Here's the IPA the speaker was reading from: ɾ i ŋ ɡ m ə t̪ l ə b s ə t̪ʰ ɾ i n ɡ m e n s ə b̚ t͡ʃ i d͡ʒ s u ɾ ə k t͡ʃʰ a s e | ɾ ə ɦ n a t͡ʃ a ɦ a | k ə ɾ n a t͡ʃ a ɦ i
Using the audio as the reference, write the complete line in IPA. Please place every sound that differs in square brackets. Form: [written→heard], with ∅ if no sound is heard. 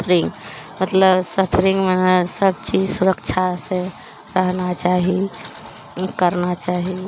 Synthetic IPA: ɾ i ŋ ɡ m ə t̪ l ə b s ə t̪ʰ ɾ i [n→ŋ] ɡ m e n s ə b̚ t͡ʃ i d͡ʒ s u ɾ ə k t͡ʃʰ a s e | ɾ ə ɦ n a t͡ʃ a ɦ [a→i] | k ə ɾ n a t͡ʃ a ɦ i

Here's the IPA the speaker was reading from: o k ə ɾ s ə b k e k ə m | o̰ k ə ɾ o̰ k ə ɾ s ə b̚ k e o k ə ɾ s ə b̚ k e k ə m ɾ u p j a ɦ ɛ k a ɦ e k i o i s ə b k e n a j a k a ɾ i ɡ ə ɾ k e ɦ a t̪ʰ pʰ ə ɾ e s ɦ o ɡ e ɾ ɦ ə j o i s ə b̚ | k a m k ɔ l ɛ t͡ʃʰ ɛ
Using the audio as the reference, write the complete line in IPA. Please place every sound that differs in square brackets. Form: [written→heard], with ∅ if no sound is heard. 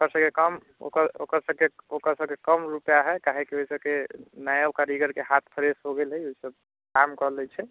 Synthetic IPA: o k ə ɾ s ə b k e k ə m | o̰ k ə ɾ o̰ k ə ɾ s ə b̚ k e o k ə ɾ s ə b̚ k e k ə m ɾ u p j a ɦ ɛ k a ɦ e k i o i s ə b k e n a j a k a ɾ i ɡ ə ɾ k e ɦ a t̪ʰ pʰ ə ɾ e s ɦ o ɡ e [ɾ→l] ɦ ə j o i s ə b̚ | k a m k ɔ l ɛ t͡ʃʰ ɛ

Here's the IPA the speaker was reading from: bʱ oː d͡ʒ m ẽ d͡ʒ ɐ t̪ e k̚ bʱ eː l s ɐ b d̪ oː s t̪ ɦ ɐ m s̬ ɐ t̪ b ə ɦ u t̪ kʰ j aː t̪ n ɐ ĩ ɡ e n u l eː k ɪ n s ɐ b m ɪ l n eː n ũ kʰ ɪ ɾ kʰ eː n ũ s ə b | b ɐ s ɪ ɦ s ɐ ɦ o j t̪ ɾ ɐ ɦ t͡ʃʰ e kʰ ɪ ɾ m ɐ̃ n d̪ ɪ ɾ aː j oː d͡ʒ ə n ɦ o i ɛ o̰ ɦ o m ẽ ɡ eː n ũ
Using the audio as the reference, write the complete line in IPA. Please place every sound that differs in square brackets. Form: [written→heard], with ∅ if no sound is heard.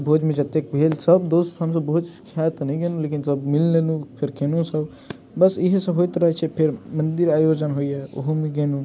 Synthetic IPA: bʱ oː d͡ʒ m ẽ d͡ʒ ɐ t̪ e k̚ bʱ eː l s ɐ b d̪ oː s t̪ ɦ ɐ m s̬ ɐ [t̪→∅] b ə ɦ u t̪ kʰ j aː t̪ n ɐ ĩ ɡ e n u l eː k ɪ n s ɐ b m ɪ l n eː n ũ [kʰ→pʰ] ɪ ɾ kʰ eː n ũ s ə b | b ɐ s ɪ ɦ s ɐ ɦ o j t̪ ɾ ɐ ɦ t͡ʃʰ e [kʰ→pʰ] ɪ ɾ m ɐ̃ n d̪ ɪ ɾ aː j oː d͡ʒ ə n ɦ o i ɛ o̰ ɦ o m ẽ ɡ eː n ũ

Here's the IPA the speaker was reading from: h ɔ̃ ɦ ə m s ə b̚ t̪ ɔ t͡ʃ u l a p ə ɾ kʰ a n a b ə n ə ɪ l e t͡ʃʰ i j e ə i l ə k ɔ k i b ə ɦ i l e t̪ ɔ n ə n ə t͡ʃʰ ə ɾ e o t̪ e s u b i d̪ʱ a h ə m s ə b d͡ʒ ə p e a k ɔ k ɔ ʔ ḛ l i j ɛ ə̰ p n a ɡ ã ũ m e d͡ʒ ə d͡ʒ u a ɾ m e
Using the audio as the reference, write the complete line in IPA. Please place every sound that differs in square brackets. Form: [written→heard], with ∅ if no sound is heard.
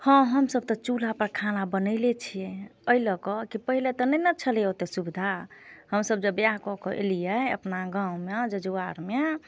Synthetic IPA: h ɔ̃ ɦ ə m s ə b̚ t̪ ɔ t͡ʃ u l a p ə ɾ kʰ a n a b ə n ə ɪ l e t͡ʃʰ i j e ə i l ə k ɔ k i [b→p] ə ɦ i l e t̪ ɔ n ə n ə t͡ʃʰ ə [ɾ→l] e o t̪ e s u b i d̪ʱ a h ə m s ə b d͡ʒ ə [p→b] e a k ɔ k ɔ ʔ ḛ l i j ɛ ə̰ p n a ɡ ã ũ m e d͡ʒ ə d͡ʒ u a ɾ m e

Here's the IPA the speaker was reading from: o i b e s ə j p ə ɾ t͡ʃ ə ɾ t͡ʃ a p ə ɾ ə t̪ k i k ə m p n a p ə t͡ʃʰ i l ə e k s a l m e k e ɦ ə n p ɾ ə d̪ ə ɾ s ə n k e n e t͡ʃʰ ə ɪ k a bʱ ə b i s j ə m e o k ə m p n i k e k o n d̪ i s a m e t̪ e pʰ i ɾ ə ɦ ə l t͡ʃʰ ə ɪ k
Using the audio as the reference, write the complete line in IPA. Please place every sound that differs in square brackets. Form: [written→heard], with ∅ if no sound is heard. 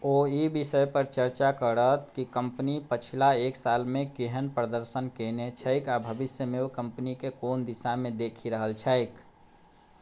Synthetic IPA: o i b [e→i] s ə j p ə ɾ t͡ʃ ə ɾ t͡ʃ a [p→k] ə ɾ ə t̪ k i k ə m p n [a→i] p ə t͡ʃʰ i l [ə→a] e k s a l m e k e ɦ ə n p ɾ ə d̪ ə ɾ s ə n k e n e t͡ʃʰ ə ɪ k a bʱ ə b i s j ə m e o k ə m p n i k e k o n d̪ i s a m e [t̪→d̪] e [pʰ→kʰ] i ɾ ə ɦ ə l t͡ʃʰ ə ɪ k

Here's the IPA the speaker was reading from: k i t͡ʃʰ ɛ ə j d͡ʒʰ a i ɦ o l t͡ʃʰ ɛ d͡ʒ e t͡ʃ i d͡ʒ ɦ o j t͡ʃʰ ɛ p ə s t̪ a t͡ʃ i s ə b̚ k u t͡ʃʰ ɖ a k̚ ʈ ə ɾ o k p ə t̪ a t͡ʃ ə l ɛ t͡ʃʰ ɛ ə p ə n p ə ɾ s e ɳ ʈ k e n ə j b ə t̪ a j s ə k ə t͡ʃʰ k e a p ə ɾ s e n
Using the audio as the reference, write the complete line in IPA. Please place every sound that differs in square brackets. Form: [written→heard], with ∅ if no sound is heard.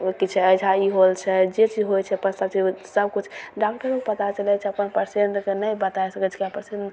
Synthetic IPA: k i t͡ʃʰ ɛ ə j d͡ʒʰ a i ɦ o l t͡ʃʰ ɛ d͡ʒ e t͡ʃ i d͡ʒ ɦ o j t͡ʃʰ ɛ p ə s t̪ a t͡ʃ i s ə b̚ k u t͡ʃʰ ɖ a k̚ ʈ ə ɾ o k p ə t̪ a t͡ʃ ə l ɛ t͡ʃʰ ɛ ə p ə n p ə ɾ s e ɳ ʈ k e n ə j b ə t̪ a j s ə k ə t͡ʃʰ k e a p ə ɾ s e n

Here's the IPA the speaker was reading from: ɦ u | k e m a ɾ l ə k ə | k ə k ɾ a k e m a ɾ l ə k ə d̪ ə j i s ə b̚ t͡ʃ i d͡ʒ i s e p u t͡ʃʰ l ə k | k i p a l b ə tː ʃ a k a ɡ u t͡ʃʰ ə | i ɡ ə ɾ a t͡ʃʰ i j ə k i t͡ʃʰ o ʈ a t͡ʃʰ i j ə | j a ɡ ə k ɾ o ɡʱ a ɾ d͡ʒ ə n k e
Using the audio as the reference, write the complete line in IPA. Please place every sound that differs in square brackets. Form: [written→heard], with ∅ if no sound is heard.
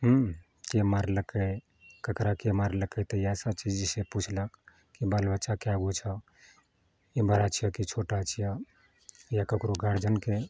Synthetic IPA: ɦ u | k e m a ɾ l ə k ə | k ə k ɾ a k e m a ɾ l ə k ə [d̪→t̪] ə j [i→a] s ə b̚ t͡ʃ i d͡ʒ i s e p u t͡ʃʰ l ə k | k i [p→b] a l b ə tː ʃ a k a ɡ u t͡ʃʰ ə | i [ɡ→b] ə ɾ a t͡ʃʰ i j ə k i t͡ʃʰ o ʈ a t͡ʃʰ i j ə | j a [ɡ→k] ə k ɾ o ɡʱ a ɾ d͡ʒ ə n k e

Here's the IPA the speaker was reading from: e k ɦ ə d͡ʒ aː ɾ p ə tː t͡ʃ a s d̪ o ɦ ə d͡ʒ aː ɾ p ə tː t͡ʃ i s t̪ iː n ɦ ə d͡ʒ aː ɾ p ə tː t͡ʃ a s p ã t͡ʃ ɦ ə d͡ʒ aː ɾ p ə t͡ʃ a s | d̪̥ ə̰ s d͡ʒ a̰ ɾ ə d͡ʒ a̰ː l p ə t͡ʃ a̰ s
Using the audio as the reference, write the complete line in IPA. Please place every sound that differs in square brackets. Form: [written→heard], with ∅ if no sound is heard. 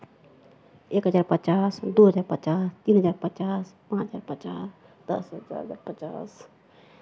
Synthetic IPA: e k ɦ ə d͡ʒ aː ɾ p ə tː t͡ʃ a s d̪ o ɦ ə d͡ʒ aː ɾ p ə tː t͡ʃ [i→a] s t̪ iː n ɦ ə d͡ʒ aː ɾ p ə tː t͡ʃ a s p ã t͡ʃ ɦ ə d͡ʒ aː ɾ p ə t͡ʃ a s | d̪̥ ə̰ s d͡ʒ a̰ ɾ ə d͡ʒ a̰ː [l→ɾ] p ə t͡ʃ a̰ s

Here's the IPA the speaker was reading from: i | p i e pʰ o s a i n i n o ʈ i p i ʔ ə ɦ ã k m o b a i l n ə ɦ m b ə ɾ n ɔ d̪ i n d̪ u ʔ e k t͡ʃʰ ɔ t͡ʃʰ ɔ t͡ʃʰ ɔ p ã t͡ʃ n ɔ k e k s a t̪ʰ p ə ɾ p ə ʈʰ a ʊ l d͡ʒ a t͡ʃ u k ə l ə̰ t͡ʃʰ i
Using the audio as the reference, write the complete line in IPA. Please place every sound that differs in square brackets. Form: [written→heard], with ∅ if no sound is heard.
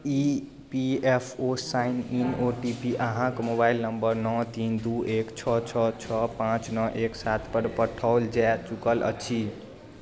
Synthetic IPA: i | p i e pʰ o s a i n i n o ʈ i p i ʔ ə ɦ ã k m o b a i l n ə [ɦ→∅] m b ə ɾ n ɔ [d̪→t̪] i n d̪ u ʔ e k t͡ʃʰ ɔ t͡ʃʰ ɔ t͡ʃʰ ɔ p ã t͡ʃ n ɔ [k→ʔ] e k s a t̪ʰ p ə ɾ p ə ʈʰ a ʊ l d͡ʒ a t͡ʃ u k ə l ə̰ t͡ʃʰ i

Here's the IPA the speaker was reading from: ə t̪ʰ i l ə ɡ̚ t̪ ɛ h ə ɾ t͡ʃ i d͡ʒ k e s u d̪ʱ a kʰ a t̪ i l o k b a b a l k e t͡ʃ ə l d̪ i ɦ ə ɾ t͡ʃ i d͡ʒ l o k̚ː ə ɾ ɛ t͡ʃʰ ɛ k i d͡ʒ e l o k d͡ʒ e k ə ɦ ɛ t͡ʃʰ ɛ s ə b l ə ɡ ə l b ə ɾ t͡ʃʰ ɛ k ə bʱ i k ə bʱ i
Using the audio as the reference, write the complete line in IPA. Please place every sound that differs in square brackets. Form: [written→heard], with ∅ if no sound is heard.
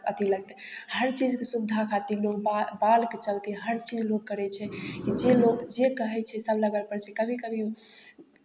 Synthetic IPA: ə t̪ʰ i l ə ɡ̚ t̪ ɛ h ə ɾ t͡ʃ i d͡ʒ k e s u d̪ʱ a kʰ a t̪ i l o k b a b a l k e t͡ʃ ə l [d̪→t̪] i ɦ ə ɾ t͡ʃ i d͡ʒ l o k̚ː ə ɾ ɛ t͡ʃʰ ɛ k i d͡ʒ e l o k d͡ʒ e k ə ɦ ɛ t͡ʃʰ ɛ s ə b l ə ɡ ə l [b→p] ə ɾ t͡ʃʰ ɛ k ə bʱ i k ə bʱ i

